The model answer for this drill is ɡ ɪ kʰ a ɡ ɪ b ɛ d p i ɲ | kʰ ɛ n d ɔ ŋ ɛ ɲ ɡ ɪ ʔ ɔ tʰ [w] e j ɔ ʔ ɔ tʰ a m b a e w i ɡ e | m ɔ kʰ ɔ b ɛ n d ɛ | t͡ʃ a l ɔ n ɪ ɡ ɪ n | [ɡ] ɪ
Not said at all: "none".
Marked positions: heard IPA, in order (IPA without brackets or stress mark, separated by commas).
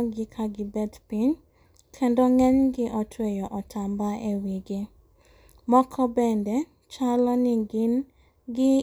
w, ɡ